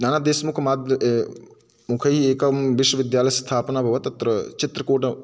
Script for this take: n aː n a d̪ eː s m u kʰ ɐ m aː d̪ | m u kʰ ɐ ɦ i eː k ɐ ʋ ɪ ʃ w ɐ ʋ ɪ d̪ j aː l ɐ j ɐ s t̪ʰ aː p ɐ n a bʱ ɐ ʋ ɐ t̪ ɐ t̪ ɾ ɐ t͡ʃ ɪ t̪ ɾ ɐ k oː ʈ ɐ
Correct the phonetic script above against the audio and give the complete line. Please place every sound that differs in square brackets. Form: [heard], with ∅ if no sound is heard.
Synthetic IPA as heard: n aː n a d̪ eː s m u kʰ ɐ m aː d̪ | m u kʰ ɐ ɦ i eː k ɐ ʋ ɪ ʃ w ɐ ʋ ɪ d̪ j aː l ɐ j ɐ s t̪ʰ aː p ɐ n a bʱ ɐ ʋ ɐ t̪ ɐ t̪ ɾ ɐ t͡ʃ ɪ t̪ ɾ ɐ k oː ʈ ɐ